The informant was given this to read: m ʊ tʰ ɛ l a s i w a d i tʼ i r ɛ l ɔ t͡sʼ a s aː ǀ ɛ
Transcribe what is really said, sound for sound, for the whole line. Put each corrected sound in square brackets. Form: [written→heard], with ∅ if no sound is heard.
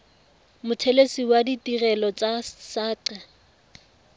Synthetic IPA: m ʊ tʰ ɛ l [a→e] s i w a d i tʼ i r ɛ l ɔ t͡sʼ a s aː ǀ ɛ